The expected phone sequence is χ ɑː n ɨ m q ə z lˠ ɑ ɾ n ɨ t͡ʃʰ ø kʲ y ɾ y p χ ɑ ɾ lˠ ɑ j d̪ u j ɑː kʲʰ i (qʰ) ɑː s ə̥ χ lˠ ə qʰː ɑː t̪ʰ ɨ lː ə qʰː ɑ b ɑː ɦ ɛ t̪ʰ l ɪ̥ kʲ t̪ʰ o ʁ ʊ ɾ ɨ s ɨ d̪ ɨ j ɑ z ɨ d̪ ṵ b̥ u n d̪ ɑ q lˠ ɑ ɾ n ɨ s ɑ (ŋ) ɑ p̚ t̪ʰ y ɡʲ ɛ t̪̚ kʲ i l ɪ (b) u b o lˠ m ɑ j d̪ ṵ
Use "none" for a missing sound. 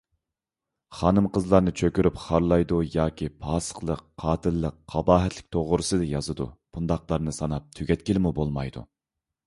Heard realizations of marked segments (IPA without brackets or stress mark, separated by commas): pʰ, n, m